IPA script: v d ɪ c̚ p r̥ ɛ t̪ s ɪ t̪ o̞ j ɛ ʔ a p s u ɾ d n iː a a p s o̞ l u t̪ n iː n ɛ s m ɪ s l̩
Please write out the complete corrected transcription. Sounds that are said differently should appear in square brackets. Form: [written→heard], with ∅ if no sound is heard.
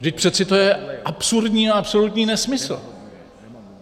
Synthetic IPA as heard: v d ɪ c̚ p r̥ ɛ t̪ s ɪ t̪ o̞ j ɛ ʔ a p s u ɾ d [n→ɲ] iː a a p s o̞ l u t̪ [n→ɲ] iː n ɛ s m ɪ s l̩